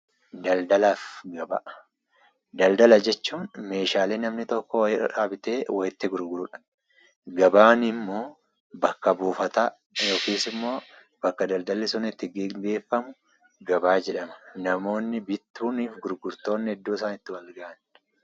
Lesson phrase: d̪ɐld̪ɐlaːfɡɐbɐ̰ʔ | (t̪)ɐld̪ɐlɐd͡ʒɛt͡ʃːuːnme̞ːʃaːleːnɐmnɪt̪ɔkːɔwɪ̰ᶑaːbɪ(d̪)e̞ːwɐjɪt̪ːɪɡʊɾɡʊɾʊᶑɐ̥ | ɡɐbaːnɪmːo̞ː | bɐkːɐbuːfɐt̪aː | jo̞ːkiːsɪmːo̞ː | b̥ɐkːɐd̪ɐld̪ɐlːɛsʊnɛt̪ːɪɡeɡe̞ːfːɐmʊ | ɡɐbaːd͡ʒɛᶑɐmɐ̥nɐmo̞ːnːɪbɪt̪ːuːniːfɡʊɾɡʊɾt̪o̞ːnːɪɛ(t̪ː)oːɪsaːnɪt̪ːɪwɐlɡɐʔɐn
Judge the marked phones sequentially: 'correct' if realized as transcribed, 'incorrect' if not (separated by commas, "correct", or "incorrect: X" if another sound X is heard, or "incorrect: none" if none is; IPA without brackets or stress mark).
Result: incorrect: d̪, incorrect: t̪, incorrect: d̪ː